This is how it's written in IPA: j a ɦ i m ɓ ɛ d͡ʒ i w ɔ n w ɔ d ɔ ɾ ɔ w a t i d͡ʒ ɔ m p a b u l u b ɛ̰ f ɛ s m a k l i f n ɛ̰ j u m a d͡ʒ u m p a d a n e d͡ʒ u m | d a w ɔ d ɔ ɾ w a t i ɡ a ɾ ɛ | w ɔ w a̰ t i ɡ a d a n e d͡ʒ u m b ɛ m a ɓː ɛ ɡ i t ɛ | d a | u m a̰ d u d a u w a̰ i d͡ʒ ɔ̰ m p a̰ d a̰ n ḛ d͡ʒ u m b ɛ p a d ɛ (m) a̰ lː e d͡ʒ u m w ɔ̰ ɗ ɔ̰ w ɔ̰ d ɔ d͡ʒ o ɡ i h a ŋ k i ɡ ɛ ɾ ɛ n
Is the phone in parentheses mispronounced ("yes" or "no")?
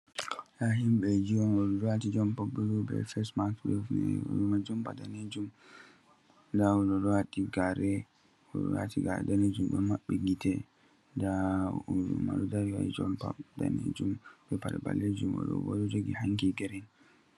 yes